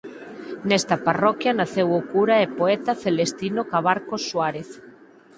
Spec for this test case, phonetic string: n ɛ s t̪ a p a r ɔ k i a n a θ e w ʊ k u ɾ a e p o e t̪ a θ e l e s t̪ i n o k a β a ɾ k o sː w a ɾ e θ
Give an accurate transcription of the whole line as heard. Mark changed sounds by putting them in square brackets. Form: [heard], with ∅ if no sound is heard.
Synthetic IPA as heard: n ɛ s t̪ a p a r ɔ k [j] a n a θ e w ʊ k u ɾ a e p o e t̪ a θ e l e s t̪ i n o k a β a ɾ k o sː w a ɾ e θ